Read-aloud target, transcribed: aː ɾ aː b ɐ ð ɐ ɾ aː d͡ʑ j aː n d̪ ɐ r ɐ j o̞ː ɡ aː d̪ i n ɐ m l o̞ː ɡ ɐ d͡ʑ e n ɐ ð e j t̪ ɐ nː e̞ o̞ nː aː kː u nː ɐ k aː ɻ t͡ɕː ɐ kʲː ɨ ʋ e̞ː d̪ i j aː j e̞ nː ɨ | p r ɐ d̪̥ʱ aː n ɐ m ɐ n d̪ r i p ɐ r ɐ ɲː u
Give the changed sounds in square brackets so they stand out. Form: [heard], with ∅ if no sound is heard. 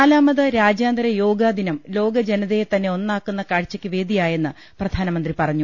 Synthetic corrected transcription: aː [l] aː [m] ɐ ð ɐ ɾ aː d͡ʑ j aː n d̪ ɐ [ɾ] ɐ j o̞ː ɡ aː d̪ i n ɐ m l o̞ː ɡ ɐ d͡ʑ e n ɐ ð e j t̪ ɐ nː e̞ o̞ nː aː kː u nː ɐ k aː ɻ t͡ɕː ɐ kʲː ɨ ʋ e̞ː d̪ i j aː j e̞ nː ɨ | p r ɐ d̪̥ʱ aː n ɐ m ɐ n d̪ r i p ɐ r ɐ ɲː u